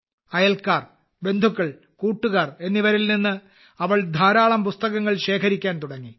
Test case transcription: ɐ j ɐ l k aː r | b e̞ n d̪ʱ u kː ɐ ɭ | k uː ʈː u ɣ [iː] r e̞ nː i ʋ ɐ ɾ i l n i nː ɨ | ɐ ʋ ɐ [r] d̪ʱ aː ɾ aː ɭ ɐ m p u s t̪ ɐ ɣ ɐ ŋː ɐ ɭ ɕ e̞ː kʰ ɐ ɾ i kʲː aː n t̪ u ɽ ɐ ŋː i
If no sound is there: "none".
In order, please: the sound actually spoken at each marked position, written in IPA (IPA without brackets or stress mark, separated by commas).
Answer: aː, ɭ